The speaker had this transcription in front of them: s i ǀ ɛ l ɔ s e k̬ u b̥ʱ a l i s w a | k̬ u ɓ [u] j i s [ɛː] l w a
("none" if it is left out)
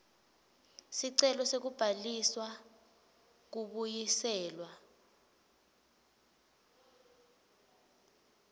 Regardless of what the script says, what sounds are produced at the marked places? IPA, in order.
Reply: u, ɛː

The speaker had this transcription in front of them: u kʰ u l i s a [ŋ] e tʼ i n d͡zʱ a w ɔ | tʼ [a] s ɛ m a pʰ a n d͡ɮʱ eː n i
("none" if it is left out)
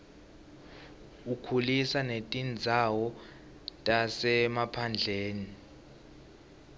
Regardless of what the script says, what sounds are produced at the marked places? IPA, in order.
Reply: n, a

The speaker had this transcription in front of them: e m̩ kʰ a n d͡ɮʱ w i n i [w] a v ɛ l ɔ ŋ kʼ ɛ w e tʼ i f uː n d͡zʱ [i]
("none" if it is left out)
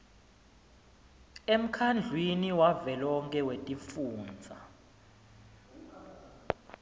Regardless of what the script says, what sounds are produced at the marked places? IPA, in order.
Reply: w, a

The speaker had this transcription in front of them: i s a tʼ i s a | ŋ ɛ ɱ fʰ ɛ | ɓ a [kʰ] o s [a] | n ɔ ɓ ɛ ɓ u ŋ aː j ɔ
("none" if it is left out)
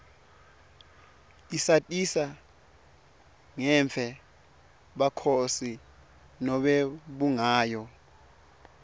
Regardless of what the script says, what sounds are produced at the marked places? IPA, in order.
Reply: kʰ, i

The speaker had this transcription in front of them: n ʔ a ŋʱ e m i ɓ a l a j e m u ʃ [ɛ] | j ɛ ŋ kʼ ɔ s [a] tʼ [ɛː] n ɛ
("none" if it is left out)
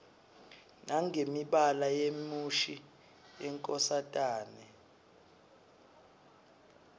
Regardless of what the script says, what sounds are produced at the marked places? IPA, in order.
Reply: i, a, aː

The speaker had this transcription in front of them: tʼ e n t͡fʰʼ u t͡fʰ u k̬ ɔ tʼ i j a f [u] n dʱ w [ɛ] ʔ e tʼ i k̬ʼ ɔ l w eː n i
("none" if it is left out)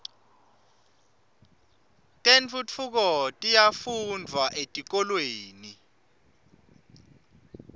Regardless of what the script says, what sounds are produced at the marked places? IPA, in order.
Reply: u, a

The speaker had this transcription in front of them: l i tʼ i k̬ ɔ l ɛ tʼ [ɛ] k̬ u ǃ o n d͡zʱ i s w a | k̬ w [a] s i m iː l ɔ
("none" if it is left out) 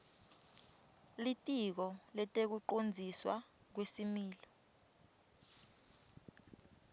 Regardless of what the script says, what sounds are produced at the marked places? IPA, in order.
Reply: e, e

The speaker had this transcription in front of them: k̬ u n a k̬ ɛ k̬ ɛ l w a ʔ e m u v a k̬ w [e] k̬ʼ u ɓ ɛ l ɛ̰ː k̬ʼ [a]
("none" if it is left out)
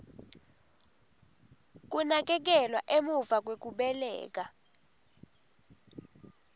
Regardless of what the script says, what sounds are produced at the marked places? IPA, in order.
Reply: e, a

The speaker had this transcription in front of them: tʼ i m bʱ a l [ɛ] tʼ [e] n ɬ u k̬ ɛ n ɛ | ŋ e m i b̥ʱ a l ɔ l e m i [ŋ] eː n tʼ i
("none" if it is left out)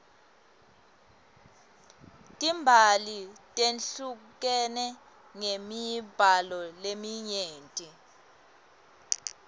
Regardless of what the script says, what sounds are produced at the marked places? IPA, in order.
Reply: i, e, ɲ

